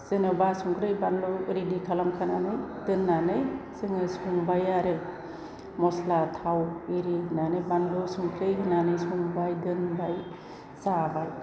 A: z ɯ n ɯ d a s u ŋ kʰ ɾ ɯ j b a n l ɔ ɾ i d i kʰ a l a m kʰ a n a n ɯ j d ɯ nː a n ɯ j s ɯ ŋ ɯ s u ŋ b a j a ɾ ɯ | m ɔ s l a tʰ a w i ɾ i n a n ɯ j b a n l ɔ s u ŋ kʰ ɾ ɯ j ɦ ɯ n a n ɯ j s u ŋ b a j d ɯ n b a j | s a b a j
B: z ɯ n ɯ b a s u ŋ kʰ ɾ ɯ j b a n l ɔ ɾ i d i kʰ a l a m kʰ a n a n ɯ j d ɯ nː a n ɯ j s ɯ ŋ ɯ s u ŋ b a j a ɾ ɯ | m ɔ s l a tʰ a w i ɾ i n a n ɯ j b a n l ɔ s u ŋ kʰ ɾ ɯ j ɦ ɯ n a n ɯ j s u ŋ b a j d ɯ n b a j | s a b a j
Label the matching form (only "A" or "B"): B